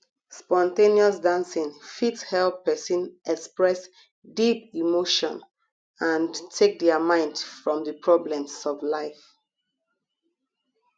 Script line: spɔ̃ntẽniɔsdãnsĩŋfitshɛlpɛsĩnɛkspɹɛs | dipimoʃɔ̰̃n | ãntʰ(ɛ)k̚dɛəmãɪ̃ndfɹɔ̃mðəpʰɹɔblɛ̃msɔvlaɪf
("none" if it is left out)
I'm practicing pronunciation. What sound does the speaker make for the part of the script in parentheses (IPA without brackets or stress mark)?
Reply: e